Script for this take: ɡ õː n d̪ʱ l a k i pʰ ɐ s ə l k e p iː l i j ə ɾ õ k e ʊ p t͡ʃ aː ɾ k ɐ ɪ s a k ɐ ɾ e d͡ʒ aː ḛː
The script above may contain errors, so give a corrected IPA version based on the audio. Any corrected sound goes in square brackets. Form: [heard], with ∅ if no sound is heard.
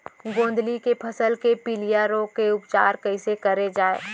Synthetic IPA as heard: ɡ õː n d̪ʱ l [i] k [e] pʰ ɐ s ə l k e p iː l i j [a] ɾ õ k e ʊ p t͡ʃ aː ɾ k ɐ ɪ s [e] k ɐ ɾ e d͡ʒ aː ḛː